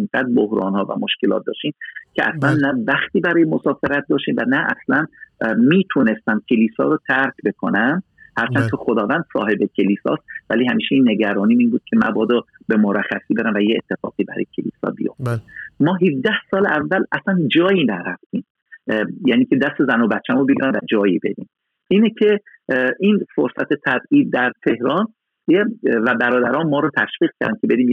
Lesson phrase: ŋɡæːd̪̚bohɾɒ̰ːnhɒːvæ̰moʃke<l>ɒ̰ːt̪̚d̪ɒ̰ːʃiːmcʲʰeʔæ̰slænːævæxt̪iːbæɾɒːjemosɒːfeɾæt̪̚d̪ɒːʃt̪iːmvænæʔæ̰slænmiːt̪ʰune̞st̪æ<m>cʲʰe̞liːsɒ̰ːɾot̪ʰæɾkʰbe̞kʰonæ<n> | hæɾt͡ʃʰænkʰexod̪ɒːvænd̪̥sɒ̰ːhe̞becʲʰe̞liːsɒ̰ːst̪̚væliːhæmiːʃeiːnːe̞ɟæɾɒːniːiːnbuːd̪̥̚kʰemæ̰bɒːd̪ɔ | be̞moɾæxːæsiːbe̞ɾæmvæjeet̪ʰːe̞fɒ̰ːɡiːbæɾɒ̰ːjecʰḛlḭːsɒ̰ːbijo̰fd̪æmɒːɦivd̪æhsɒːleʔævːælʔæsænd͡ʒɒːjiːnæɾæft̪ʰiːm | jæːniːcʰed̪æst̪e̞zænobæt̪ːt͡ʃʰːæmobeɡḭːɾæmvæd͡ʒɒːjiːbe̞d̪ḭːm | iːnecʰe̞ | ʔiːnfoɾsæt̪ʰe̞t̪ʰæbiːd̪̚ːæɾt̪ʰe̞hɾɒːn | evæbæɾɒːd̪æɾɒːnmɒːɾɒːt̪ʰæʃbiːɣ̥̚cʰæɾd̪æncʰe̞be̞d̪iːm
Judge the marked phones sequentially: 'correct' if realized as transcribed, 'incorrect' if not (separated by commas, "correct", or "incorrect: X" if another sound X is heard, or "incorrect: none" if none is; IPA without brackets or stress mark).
correct, correct, incorrect: m